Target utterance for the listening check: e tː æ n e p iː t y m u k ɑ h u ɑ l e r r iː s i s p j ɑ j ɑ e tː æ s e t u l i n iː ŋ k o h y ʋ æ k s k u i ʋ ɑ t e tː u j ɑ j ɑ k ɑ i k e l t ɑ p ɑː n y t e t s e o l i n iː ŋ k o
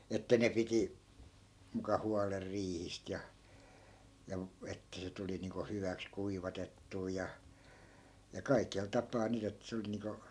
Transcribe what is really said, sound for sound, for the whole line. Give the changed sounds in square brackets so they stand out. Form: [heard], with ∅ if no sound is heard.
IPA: e tː æ n e p [i] t [i] m u k ɑ h u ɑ l e r r iː [h] i s [t] j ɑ j ɑ e tː æ s e t u l i n iː ŋ k o h y ʋ æ k s k u i ʋ ɑ t e tː [uː] j ɑ j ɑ k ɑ i k e l t ɑ p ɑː n y t e t s e o l i n iː ŋ k o